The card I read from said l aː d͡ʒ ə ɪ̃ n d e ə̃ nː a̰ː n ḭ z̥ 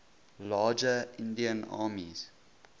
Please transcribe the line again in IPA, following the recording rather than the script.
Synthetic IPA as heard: l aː d͡ʒ ə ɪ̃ n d i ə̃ n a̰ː m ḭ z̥